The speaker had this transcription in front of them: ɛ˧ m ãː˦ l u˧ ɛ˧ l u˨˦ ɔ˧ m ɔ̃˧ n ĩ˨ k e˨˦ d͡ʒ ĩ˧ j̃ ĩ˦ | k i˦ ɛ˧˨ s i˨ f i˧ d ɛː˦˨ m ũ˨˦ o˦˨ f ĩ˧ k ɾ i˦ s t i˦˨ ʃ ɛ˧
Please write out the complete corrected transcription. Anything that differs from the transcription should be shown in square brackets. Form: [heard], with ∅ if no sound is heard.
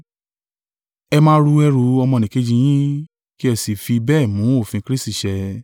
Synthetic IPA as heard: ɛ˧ m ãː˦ [ɾ] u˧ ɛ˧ [ɾ] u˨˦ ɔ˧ m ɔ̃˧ n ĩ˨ k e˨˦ d͡ʒ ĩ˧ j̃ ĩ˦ | k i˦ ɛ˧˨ s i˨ f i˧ [b] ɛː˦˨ m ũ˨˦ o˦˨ f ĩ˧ k ɾ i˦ s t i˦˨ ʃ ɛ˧